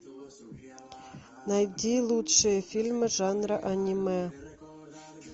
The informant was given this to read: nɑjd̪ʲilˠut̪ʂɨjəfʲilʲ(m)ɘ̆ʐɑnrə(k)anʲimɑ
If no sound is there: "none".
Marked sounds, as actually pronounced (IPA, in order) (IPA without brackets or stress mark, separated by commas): m, ʔ